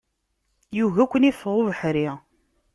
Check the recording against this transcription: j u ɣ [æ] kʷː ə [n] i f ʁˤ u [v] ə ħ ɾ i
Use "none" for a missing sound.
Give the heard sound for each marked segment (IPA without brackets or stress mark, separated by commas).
æ, n, v